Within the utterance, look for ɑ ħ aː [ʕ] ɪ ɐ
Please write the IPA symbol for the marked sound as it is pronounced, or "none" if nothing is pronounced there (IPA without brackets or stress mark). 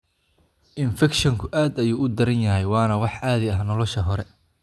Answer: ð